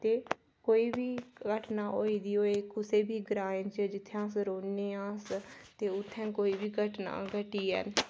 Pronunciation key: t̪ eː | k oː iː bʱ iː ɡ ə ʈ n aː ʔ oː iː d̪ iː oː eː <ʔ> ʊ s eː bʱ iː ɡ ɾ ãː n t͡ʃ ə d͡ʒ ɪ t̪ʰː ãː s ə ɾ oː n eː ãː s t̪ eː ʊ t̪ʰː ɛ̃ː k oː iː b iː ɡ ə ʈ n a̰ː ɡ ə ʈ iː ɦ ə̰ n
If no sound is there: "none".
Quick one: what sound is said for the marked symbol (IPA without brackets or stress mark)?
k